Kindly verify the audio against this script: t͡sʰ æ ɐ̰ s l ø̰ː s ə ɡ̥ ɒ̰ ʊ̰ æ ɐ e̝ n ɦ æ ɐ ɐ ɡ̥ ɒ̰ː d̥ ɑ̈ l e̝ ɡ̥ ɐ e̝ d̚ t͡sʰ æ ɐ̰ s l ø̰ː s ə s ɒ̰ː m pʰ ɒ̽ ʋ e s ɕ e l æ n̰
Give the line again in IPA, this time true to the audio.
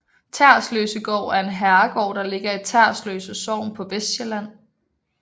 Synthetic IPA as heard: t͡sʰ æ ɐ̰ s l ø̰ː s ə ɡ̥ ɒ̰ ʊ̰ æ ɐ e̝ n ɦ æ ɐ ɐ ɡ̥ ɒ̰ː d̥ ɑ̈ l e̝ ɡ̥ ɐ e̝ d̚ t͡sʰ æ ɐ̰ s l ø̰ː s ə s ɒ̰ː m pʰ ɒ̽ ʋ e s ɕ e l æ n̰